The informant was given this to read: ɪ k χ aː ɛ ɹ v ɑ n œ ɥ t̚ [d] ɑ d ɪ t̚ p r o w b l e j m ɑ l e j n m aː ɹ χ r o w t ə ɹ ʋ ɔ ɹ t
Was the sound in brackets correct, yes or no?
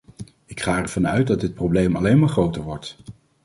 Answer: yes